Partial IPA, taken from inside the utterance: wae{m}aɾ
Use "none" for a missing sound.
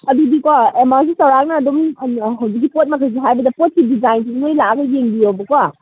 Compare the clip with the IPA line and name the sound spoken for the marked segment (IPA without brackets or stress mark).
m